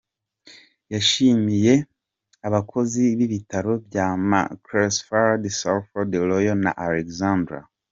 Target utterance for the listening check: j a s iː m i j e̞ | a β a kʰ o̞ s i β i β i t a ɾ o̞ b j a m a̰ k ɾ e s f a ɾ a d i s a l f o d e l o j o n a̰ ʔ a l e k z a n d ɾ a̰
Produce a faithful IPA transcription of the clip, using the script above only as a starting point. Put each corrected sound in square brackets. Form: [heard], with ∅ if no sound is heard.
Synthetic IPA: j a [ʃ] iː m i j e̞ | a β a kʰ o̞ [z] i β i β i t a ɾ o̞ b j a m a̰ k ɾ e s f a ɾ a d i s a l f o d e l o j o n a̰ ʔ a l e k z a n d ɾ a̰